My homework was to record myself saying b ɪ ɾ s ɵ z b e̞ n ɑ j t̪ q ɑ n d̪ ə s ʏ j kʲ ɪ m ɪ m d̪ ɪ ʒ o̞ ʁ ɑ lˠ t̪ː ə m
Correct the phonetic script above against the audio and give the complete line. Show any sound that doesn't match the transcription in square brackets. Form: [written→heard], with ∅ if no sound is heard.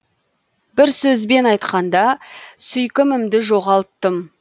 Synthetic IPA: b ɪ ɾ s ɵ z b e̞ n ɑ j t̪ q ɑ n d̪ [ə→ɑ] s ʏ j kʲ ɪ m ɪ m d̪ ɪ ʒ o̞ ʁ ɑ lˠ t̪ː ə m

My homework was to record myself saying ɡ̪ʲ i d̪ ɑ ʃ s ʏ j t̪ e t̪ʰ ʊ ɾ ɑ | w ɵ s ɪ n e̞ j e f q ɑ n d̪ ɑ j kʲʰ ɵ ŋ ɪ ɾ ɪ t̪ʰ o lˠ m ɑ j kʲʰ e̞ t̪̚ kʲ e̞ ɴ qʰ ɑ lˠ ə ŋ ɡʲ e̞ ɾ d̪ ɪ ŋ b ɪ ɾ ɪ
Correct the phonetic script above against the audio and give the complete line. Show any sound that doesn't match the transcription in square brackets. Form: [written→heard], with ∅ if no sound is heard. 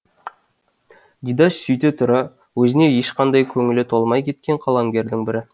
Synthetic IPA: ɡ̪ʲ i d̪ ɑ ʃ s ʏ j t̪ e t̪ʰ ʊ ɾ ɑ | w ɵ [s→z] ɪ n e̞ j e [f→ʃ] q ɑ n d̪ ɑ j kʲʰ ɵ ŋ ɪ [ɾ→l] ɪ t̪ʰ o lˠ m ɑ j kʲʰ e̞ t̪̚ kʲ e̞ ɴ qʰ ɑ lˠ [ə→ɑ] ŋ ɡʲ e̞ ɾ d̪ ɪ ŋ b ɪ ɾ ɪ

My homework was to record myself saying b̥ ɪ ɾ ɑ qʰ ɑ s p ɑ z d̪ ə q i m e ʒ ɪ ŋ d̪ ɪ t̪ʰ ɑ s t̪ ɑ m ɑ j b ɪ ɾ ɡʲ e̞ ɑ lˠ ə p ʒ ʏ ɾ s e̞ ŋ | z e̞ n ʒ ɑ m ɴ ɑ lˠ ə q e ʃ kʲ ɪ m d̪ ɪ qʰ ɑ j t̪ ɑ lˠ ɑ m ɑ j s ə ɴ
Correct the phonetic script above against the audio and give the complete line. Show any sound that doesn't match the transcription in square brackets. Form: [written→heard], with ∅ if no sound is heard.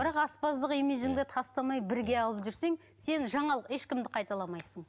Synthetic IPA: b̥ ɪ ɾ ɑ [qʰ→q] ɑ s p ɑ z d̪ ə q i m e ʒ ɪ ŋ d̪ ɪ t̪ʰ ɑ s t̪ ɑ m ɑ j b ɪ ɾ ɡʲ e̞ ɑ lˠ ə p ʒ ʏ ɾ s e̞ ŋ | [z→s] e̞ n ʒ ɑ [m→∅] ɴ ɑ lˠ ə q e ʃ kʲ ɪ m d̪ ɪ qʰ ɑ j t̪ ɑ lˠ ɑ m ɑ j s ə ɴ

